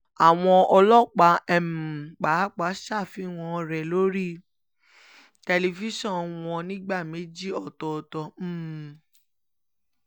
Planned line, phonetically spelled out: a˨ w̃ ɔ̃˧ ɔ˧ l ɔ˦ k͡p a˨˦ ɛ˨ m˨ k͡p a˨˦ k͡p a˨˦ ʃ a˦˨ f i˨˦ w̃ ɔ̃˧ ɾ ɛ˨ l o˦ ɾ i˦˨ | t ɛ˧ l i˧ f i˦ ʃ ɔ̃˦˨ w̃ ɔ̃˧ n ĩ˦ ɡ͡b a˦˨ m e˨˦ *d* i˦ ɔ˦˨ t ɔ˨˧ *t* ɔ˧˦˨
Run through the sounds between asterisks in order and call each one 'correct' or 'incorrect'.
incorrect: d͡ʒ, correct

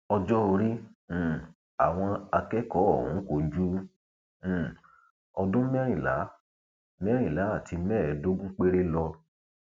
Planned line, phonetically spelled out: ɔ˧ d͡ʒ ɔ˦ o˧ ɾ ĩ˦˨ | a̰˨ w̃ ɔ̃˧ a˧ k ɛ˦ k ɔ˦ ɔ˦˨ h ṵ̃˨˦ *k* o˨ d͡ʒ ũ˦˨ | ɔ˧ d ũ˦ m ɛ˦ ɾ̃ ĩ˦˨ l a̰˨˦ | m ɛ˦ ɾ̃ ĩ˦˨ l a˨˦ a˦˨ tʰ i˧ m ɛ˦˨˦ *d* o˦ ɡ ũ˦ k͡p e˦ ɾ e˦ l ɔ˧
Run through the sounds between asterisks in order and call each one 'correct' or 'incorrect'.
correct, correct

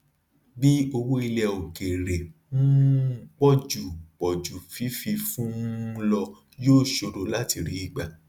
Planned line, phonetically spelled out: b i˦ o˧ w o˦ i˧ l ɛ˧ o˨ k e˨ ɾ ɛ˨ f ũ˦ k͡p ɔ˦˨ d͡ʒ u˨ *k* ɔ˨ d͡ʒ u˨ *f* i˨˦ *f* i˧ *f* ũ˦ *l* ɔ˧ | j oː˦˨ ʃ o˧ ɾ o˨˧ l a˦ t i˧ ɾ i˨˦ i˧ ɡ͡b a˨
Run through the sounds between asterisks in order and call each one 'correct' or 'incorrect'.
incorrect: k͡p, correct, correct, correct, correct

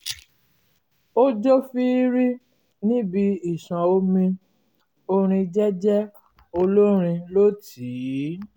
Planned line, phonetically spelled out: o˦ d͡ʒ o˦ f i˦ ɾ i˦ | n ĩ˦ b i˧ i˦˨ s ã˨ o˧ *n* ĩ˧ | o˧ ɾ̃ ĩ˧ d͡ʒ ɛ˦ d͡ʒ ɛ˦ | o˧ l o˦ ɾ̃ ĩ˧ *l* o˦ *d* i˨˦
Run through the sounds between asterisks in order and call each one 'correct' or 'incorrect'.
incorrect: m, correct, incorrect: t

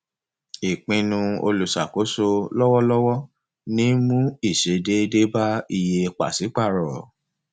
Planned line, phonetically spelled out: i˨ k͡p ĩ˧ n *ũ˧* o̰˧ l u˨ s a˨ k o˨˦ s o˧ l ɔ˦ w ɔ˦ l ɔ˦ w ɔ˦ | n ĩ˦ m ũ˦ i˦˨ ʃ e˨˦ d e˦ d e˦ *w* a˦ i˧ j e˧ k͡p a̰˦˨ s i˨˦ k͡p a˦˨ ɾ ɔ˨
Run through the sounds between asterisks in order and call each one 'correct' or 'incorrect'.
correct, incorrect: b

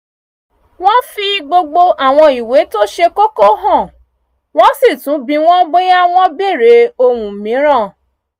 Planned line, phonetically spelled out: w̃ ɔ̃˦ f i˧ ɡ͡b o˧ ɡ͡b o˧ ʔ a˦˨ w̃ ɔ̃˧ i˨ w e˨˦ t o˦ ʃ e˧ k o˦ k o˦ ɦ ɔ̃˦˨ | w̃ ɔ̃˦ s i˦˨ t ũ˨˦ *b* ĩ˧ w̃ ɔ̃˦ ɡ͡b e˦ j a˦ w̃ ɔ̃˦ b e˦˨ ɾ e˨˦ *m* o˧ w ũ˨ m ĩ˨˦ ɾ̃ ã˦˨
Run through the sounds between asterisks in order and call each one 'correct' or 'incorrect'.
correct, incorrect: none

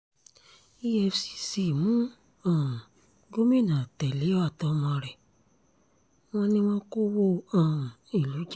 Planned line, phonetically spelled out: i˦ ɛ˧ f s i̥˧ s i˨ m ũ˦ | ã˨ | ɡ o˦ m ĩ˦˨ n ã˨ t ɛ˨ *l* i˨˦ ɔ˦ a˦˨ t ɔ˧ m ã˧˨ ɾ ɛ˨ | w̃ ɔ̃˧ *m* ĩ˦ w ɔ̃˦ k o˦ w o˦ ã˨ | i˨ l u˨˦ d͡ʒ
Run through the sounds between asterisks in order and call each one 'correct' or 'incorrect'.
correct, incorrect: n

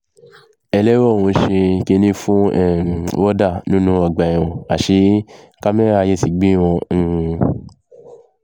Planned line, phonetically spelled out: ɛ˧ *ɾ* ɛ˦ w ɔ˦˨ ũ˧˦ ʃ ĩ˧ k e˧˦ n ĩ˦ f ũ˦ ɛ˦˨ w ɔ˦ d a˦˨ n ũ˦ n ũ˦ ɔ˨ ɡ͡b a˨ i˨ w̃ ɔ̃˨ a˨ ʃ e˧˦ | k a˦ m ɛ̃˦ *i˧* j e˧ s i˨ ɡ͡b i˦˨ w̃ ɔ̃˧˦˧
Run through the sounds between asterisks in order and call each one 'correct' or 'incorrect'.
incorrect: l, incorrect: a˧

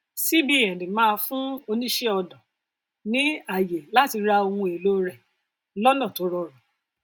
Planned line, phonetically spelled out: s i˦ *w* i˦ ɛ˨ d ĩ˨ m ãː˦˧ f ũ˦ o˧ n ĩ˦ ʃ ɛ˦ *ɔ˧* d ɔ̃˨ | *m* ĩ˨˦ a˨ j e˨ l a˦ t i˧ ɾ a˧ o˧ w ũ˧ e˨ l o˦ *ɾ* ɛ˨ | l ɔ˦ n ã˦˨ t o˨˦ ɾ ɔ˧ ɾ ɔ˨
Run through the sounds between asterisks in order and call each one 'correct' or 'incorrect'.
incorrect: b, correct, incorrect: n, correct

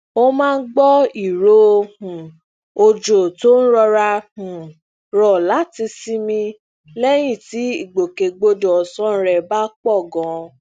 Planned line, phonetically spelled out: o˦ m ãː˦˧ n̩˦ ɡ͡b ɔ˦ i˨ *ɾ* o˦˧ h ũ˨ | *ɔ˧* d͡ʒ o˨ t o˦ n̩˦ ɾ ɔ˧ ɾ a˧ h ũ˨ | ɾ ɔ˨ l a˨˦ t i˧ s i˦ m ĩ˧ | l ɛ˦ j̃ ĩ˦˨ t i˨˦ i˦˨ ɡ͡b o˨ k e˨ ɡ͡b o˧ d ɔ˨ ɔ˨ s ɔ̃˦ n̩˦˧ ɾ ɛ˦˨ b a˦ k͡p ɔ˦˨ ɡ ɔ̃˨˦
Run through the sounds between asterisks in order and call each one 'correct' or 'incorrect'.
correct, incorrect: o˧

